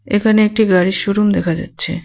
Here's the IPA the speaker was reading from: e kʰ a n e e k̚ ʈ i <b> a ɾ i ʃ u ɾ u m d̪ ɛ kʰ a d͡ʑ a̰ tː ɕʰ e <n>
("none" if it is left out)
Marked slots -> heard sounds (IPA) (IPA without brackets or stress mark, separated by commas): ɡ, none